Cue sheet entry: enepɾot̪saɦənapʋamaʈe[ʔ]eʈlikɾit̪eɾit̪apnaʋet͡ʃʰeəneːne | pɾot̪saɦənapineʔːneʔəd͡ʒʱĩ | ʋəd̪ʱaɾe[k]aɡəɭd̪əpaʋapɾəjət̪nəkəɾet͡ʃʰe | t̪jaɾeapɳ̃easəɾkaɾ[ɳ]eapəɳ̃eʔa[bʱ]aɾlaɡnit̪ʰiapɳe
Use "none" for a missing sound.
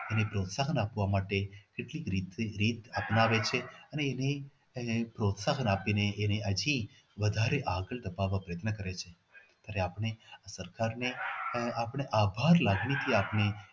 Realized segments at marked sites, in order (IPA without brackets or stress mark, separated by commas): k, ʔ, n, bʱ